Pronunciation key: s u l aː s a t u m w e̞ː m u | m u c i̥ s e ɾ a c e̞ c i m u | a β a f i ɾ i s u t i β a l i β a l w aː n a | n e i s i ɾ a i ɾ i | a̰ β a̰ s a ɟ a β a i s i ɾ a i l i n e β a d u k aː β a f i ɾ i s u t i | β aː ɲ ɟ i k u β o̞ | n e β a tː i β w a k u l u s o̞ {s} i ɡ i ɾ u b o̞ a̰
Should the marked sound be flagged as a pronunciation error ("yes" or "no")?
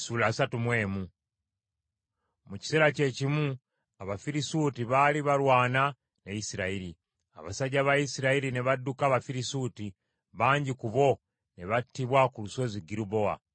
yes